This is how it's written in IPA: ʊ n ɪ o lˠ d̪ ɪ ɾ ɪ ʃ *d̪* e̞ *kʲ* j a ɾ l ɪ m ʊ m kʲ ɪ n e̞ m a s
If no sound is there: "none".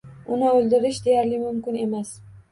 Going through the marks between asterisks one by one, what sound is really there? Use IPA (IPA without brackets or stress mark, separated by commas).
d̪, none